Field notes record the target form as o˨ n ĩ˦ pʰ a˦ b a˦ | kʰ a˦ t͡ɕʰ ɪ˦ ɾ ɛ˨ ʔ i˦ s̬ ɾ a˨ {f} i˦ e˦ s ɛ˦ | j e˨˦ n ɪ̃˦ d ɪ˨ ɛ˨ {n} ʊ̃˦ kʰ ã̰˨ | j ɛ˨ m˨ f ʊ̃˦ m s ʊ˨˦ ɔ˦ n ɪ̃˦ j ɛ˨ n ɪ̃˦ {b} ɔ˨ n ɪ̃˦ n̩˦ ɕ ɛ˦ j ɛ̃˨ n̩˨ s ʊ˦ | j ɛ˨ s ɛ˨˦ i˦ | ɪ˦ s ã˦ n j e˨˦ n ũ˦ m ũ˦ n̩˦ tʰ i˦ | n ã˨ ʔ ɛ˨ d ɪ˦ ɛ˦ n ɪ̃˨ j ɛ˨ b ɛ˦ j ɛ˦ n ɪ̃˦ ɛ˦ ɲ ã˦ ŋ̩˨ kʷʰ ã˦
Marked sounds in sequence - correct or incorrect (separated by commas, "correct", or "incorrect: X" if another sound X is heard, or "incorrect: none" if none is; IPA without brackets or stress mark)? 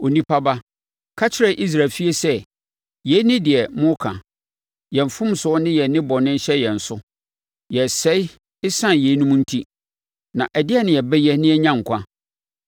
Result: correct, incorrect: m, correct